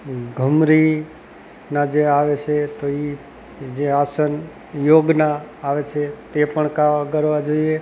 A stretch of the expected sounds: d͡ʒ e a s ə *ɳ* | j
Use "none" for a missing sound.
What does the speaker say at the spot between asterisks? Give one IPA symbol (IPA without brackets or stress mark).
n